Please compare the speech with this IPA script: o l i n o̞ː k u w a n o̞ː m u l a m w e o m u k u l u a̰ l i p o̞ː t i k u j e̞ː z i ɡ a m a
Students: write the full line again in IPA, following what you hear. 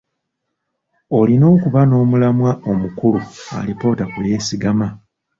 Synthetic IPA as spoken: o l i n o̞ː k u β a n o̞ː m u l a m w a o m u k u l u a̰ l i p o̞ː t a k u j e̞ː s i ɡ a m a